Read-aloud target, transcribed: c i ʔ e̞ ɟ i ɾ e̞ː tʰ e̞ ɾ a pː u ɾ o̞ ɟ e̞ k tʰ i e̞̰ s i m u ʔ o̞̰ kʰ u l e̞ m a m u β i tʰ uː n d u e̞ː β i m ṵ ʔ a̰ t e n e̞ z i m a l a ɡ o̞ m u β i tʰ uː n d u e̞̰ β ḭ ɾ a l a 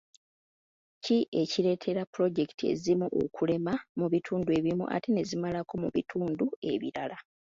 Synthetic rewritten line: c i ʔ e̞ c i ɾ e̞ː tʰ e̞ ɾ a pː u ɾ o̞ ɟ e̞ k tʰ i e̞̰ z i m u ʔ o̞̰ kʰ u l e̞ m a m u β i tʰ uː n d u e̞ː β i m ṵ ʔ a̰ t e n e̞ z i m a l a k o̞ m u β i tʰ uː n d u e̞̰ β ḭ ɾ a l a